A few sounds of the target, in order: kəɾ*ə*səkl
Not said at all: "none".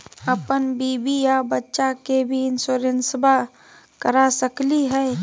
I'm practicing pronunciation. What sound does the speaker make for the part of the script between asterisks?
a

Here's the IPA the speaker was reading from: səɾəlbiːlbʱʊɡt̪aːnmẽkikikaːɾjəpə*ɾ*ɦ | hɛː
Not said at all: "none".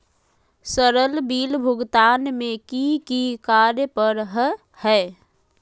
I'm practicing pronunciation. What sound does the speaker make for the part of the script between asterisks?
ɾ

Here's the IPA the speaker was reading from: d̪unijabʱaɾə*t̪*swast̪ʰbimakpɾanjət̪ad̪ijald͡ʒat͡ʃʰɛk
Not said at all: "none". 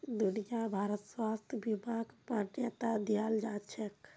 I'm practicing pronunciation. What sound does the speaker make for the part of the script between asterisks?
t̪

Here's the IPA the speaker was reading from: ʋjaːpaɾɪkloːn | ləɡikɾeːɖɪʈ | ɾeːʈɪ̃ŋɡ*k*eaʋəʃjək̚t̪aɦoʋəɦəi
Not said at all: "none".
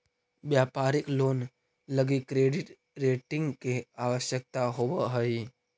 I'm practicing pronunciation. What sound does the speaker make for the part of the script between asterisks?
k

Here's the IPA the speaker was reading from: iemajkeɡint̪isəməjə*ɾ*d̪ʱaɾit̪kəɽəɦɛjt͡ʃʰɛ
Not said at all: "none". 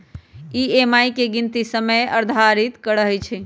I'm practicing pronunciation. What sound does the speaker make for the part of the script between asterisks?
ɾ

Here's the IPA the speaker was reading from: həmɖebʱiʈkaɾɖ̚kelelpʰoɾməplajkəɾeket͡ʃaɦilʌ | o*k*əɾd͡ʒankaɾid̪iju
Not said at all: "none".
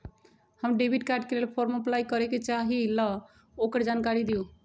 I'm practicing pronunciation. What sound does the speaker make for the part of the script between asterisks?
k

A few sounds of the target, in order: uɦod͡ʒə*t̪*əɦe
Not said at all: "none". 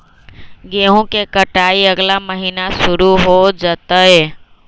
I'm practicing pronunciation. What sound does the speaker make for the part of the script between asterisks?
t̪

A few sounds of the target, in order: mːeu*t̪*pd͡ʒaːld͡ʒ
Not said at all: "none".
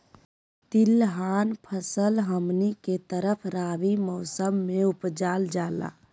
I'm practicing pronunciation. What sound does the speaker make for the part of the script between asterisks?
none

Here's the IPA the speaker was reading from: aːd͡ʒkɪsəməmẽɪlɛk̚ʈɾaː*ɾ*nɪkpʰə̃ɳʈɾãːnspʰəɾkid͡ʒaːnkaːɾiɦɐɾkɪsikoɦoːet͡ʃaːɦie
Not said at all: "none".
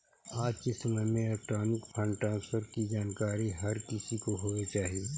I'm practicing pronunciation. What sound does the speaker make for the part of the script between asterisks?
none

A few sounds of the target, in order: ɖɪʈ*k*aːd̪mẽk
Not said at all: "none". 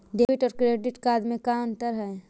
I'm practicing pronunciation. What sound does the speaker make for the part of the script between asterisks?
k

